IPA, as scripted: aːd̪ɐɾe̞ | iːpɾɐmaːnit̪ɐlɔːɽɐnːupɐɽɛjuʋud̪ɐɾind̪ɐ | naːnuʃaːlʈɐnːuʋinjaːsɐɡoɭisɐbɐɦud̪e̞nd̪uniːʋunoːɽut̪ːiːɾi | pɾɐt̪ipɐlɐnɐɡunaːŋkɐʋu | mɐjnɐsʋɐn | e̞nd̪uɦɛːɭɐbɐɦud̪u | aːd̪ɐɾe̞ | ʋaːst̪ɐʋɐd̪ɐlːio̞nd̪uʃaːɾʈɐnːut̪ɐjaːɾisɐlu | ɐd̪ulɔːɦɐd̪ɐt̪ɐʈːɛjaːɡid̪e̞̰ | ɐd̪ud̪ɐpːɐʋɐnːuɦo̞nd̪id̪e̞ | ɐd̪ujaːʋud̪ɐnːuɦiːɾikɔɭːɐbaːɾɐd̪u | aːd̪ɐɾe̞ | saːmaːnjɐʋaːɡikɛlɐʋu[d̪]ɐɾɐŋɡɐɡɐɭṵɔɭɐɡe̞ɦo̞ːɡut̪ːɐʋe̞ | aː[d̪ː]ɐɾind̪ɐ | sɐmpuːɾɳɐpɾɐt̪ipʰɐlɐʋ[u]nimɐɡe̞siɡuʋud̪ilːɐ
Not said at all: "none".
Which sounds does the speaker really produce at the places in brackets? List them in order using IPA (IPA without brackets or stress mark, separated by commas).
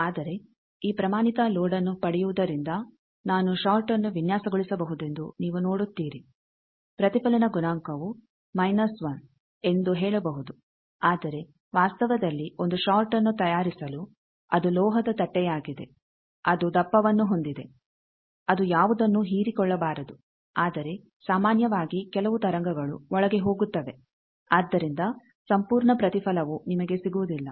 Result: t̪, d̪ː, u